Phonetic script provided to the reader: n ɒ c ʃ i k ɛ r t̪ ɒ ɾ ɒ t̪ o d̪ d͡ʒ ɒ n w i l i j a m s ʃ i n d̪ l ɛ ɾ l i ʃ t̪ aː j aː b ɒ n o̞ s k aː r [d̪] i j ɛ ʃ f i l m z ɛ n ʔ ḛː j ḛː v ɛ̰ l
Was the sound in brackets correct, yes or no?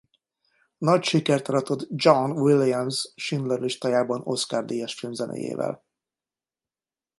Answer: yes